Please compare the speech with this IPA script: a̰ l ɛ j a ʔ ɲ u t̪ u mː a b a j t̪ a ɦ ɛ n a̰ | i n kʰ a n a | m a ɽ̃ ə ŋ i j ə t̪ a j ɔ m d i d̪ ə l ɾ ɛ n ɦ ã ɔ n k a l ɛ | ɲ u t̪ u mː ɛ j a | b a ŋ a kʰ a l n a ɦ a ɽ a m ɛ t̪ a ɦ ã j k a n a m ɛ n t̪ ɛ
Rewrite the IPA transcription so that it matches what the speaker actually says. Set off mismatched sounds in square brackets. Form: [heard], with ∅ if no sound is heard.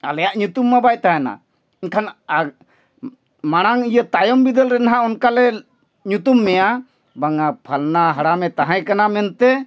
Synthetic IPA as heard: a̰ l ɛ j a ʔ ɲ u t̪ u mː a b a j t̪ a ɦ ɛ n a̰ | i n kʰ a n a | m a ɽ̃ [a] ŋ i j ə t̪ a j ɔ m [b] i d̪ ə l ɾ ɛ n ɦ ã ɔ n k a l ɛ | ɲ u t̪ u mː ɛ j a | b a ŋ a [pʰ] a l n a ɦ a ɽ a m ɛ t̪ a ɦ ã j k a n a m ɛ n t̪ ɛ